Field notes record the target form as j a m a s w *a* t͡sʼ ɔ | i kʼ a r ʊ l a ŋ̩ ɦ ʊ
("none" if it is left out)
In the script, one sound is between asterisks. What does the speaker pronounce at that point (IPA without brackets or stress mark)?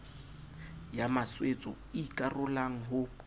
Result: e